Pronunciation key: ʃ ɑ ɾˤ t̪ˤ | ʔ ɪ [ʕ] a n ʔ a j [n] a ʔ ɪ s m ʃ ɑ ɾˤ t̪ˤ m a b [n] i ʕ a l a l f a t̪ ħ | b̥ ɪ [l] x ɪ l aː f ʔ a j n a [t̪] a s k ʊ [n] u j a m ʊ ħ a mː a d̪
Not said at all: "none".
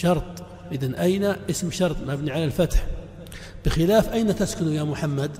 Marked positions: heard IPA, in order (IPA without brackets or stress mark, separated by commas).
ð, n, n, none, t̪, n